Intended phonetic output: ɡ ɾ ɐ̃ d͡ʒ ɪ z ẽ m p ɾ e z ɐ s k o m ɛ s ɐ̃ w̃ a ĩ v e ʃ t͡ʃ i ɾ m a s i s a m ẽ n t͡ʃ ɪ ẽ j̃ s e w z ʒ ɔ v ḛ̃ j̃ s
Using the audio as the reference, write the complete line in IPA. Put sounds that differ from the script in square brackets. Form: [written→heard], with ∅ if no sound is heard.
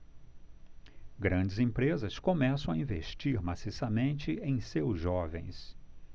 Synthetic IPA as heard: ɡ ɾ ɐ̃ d͡ʒ ɪ z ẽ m p ɾ e z ɐ s k o m ɛ s ɐ̃ w̃ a ĩ v e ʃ t͡ʃ i ɾ m a s i s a m ẽ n t͡ʃ ɪ ẽ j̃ s e w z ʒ ɔ v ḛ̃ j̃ s

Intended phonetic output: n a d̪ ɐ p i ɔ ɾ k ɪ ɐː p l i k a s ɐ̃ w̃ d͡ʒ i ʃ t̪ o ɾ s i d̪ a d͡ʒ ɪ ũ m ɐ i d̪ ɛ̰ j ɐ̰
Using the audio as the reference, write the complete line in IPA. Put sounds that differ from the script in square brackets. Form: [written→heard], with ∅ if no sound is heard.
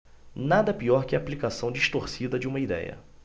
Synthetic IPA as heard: n a d̪ ɐ p i ɔ ɾ k ɪ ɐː p l i k a s ɐ̃ w̃ d͡ʒ i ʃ t̪ o ɾ s i d̪ [a→ɐ] d͡ʒ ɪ ũ m ɐ i d̪ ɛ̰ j ɐ̰

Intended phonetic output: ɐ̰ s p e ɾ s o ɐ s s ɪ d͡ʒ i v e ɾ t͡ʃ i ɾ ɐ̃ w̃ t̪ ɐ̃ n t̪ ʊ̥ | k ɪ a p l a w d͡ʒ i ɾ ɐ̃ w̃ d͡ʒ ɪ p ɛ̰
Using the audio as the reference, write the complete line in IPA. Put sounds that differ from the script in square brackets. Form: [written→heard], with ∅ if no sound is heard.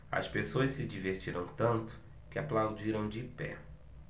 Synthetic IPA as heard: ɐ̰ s p e [ɾ→∅] s o ɐ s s ɪ d͡ʒ i v e ɾ t͡ʃ i ɾ ɐ̃ w̃ t̪ ɐ̃ n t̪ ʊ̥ | k ɪ a p l a w d͡ʒ i ɾ ɐ̃ w̃ d͡ʒ ɪ p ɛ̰

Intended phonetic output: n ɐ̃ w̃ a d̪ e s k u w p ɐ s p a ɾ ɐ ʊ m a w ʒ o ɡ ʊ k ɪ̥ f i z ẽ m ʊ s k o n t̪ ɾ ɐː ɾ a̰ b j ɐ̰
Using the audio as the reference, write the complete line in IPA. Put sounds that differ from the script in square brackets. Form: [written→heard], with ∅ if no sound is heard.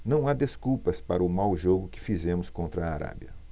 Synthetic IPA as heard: n ɐ̃ w̃ a d̪ e s k u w p ɐ s p a ɾ ɐ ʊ m a w ʒ o ɡ ʊ k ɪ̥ f i z ẽ m ʊ s k [o→õ] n t̪ ɾ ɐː ɾ a̰ b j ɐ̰

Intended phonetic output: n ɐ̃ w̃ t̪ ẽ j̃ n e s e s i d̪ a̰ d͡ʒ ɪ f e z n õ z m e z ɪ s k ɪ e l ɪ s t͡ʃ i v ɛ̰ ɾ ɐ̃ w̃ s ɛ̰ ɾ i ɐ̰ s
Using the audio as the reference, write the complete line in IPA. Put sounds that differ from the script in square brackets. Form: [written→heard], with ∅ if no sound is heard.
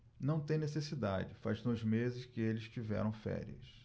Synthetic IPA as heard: n ɐ̃ w̃ t̪ ẽ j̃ n e s e s i d̪ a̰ d͡ʒ ɪ f [e→a] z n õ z m e z ɪ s k ɪ e l ɪ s t͡ʃ i v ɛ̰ ɾ ɐ̃ w̃ [s→f] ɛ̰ ɾ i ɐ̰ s

